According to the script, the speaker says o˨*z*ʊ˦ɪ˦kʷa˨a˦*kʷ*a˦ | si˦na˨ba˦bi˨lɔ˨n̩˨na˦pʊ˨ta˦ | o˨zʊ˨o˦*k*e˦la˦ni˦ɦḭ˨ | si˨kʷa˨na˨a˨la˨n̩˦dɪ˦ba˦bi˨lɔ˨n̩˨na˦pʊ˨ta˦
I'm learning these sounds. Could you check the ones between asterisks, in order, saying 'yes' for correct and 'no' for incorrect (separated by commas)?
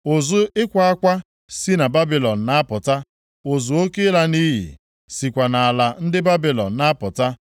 yes, yes, yes